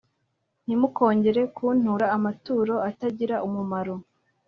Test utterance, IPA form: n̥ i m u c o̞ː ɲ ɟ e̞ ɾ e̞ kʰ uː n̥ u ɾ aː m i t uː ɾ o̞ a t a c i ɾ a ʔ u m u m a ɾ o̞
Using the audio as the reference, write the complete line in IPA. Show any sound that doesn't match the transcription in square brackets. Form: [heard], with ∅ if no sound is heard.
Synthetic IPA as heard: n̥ i m u [k] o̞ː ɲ ɟ e̞ ɾ e̞ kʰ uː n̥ u ɾ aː m [a] t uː ɾ o̞ a t a [ɟ] i ɾ a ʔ u m u m a ɾ o̞

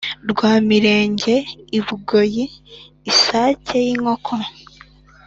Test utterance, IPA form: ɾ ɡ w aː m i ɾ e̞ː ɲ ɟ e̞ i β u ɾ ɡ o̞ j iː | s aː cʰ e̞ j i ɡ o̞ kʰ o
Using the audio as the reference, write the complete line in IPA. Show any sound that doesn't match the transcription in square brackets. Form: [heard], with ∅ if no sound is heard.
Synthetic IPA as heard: ɾ ɡ w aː m i ɾ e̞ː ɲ ɟ e̞ i β u [∅] ɡ o̞ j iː | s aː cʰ e̞ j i [ŋ] o̞ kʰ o

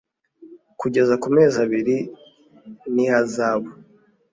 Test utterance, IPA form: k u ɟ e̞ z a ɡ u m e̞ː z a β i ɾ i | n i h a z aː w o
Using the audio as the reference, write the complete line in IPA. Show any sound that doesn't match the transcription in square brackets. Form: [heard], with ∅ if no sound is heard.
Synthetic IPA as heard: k u ɟ e̞ z a [k] u m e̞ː z a β i ɾ i | n i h a z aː [β] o

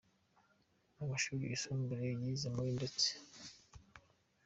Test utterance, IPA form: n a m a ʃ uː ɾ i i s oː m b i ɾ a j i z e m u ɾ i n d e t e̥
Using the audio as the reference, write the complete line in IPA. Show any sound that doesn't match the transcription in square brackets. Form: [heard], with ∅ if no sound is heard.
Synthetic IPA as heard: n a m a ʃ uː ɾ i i s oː m b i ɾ [e] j i z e m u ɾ i n d e [t͡s] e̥

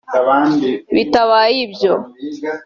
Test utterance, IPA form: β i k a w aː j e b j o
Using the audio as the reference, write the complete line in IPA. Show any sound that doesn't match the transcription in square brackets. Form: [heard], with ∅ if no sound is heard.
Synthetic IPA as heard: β i [t] a [β] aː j [i] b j o

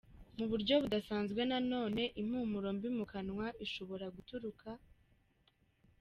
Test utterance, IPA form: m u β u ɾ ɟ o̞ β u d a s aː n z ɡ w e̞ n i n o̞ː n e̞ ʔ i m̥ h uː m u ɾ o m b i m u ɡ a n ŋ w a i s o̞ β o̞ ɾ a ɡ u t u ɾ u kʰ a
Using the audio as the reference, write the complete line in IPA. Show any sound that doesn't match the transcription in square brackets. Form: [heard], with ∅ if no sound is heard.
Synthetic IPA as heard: m u β u ɾ ɟ o̞ β u d a s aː n z ɡ w e̞ n [a] n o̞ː n e̞ ʔ i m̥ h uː m u ɾ o m b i m u [k] a n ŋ w a i [ʃ] o̞ β o̞ ɾ a ɡ u t u ɾ u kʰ a

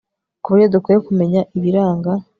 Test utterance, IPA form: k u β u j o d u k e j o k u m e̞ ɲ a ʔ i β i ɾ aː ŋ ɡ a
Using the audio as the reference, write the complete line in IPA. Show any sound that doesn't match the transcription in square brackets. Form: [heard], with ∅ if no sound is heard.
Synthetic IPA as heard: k u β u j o d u k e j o k u m e̞ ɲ a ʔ i β i ɾ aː ŋ ɡ a

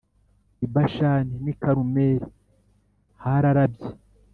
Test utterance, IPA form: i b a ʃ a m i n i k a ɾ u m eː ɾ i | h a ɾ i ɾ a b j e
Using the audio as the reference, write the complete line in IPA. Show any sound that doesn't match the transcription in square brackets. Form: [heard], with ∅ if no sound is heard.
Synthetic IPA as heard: i b a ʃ a [n] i n i k a ɾ u m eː ɾ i | h a ɾ [a] ɾ a b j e

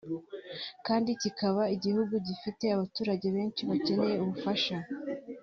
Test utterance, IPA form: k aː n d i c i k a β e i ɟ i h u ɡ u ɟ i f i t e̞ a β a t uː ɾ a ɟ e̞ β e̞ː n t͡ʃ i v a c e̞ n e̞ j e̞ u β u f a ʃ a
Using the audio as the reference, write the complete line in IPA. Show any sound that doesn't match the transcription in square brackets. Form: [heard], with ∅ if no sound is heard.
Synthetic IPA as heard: k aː n d i c i k a β [a] i ɟ i h u ɡ u ɟ i f i t e̞ a β a t uː ɾ a ɟ e̞ β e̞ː n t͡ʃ i [β] a c e̞ n e̞ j e̞ u β u f a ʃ a

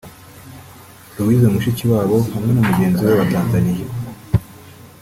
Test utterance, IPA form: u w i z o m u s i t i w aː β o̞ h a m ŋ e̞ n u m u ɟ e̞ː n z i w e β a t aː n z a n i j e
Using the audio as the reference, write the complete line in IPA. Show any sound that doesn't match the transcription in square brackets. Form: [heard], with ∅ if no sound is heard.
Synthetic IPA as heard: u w i z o m u [ʃ] i [c] i w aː β o̞ h a m ŋ e̞ n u m u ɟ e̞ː n z i w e β a t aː n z a n i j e

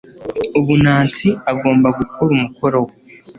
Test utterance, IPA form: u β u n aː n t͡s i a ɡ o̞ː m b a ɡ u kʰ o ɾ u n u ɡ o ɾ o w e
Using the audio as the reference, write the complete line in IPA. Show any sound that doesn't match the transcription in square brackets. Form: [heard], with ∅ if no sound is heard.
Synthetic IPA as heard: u β u n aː n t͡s i a ɡ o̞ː m b a ɡ u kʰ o ɾ u [m] u [k] o ɾ o w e

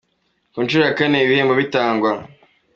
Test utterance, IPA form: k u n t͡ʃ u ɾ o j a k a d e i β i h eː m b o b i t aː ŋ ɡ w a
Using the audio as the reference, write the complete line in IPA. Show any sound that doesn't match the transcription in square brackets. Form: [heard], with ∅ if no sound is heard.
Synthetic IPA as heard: k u n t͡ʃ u ɾ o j a k a [n] e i β i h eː m b o [β] i t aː ŋ ɡ w a

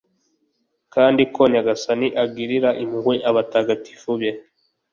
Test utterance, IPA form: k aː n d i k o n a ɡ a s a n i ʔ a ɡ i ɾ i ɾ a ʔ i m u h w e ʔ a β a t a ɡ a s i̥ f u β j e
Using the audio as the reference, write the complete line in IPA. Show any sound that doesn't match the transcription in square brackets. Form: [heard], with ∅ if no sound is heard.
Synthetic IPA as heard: k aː n d i k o [ɲ] a ɡ a s a n i ʔ a ɡ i ɾ i ɾ a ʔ i m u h w e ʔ a β a t a ɡ a [t] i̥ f u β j e

